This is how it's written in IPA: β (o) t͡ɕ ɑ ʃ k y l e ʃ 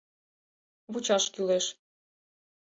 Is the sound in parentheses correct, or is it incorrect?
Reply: incorrect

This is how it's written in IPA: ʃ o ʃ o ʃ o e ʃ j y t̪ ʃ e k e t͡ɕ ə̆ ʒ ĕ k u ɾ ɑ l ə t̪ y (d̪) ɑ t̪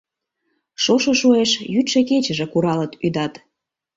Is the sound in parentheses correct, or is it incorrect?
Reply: correct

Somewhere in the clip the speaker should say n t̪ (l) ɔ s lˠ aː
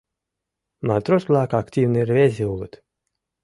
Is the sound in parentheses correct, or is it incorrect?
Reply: incorrect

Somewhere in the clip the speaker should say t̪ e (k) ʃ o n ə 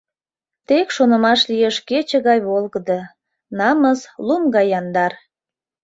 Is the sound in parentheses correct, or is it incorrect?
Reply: correct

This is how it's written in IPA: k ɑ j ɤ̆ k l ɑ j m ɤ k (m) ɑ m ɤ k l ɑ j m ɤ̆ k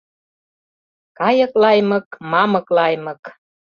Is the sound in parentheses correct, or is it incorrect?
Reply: correct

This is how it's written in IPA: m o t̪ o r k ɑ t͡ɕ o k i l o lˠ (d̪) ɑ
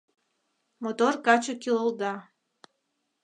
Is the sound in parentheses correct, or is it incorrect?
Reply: correct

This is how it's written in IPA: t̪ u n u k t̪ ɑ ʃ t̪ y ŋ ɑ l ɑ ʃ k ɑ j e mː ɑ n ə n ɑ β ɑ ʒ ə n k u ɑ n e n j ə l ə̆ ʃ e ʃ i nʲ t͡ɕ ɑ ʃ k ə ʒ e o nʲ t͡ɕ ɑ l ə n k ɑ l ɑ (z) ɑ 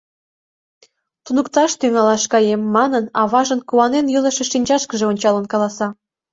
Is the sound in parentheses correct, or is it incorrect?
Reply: incorrect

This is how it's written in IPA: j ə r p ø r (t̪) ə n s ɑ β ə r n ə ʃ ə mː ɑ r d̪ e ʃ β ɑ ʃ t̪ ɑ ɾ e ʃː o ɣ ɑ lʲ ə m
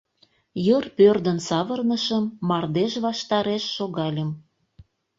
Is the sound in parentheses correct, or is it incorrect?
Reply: incorrect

